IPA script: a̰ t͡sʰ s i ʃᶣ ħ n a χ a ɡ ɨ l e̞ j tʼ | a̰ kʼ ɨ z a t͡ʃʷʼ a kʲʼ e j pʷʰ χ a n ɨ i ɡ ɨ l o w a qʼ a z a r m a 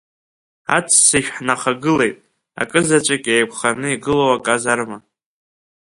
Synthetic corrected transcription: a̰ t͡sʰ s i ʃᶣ ħ n a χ a ɡ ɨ l e̞ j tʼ | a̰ kʼ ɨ z a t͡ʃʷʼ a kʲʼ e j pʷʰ χ a n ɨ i ɡ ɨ l o w a kʼ a z a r m a